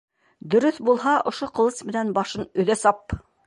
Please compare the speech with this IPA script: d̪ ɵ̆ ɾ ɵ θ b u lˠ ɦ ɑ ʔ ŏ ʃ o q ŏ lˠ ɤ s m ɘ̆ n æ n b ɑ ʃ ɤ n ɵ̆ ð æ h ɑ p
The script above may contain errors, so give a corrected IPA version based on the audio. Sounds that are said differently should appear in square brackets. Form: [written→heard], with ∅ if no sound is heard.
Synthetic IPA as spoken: d̪ ɵ̆ ɾ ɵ θ b u lˠ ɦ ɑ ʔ ŏ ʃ o q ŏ lˠ ɤ s m ɘ̆ n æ n b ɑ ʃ ɤ n ɵ̆ ð æ [h→s] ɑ p